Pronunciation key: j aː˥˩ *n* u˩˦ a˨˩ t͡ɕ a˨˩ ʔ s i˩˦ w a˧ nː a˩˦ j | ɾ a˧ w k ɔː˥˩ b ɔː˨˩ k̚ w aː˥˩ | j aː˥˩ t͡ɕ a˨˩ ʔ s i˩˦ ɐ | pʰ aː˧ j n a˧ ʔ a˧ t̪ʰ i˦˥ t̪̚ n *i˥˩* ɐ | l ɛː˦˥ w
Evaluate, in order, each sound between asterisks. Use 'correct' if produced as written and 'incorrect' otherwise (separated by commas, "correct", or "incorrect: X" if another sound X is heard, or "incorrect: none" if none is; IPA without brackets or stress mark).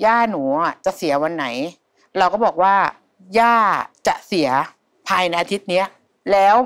correct, incorrect: i˦˥